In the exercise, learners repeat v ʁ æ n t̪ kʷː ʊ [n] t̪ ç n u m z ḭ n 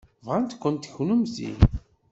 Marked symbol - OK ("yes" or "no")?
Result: yes